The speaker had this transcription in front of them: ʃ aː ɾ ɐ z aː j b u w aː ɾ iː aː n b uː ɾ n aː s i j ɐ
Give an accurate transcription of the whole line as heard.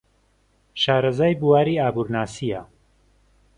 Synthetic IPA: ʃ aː ɾ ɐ z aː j b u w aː ɾ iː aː b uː ɾ n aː s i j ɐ